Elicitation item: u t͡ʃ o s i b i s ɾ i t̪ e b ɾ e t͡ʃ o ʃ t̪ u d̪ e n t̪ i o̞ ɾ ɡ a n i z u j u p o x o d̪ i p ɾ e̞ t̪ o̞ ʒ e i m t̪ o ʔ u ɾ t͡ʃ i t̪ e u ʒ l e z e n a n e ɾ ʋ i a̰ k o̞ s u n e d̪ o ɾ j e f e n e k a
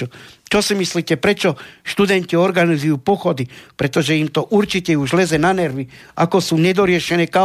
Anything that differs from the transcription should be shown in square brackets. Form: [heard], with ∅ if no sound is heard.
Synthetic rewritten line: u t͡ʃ o s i [m] i s [l] i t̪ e [p] ɾ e t͡ʃ o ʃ t̪ u d̪ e n t̪ i o̞ ɾ ɡ a n i z u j u p o x o d̪ i p ɾ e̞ t̪ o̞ ʒ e i m t̪ o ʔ u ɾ t͡ʃ i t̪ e u ʒ l e z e n a n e ɾ ʋ i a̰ k o̞ s u n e d̪ o ɾ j e [ʃ] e n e k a